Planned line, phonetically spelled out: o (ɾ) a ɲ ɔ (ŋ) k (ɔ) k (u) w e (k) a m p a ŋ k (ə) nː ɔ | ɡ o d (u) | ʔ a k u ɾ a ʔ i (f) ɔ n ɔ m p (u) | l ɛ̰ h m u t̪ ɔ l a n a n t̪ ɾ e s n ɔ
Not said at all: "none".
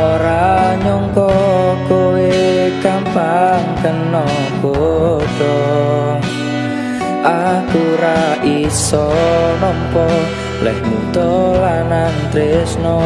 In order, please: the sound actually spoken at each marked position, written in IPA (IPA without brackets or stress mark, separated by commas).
ɾ, ŋ, ɔ, o, k, ə, ɔ, s, ɔ